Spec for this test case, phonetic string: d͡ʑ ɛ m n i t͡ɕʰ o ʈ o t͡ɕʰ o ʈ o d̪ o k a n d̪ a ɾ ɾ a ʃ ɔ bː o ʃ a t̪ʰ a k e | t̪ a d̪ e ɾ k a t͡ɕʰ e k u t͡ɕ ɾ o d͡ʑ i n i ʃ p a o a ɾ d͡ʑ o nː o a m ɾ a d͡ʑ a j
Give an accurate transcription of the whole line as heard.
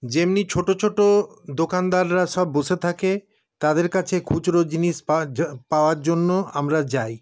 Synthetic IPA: d͡ʑ e m n i t͡ɕʰ o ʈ o t͡ɕʰ o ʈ o d̪ o k a n d̪ a ɾ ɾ a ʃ ɔ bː o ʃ e t̪ʰ a k e | t̪ a d̪ e ɾ k a t͡ɕʰ e kʰ u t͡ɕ ɾ o d͡ʑ i n i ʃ p a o a ɾ d͡ʑ o nː o a m ɾ a d͡ʑ a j